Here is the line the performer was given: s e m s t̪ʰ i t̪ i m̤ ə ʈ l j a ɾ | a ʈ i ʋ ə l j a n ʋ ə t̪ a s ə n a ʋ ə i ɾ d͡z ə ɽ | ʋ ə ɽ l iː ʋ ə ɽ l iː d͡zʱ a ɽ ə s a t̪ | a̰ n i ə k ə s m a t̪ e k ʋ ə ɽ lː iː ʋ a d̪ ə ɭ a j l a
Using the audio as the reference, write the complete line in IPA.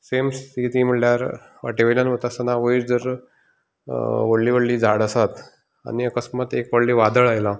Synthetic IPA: s e m s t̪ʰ i t̪ i m̤ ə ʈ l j a ɾ | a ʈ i ʋ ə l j a n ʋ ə t̪ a s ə n a ʋ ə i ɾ d͡z ə ɾ | ʋ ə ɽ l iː ʋ ə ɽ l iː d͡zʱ a ɽ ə s a t̪ | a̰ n i ə k ə s m a t̪ e k ʋ ə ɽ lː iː ʋ a d̪ ə ɭ a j l a